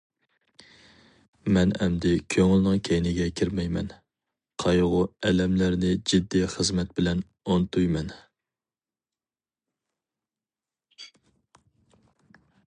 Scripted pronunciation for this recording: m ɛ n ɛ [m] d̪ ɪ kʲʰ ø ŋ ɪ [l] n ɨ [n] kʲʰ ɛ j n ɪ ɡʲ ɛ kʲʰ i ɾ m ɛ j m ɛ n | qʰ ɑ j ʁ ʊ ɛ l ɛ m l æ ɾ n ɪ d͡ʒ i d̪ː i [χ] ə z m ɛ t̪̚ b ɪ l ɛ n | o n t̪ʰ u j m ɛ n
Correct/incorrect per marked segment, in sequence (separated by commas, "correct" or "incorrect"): correct, correct, incorrect, correct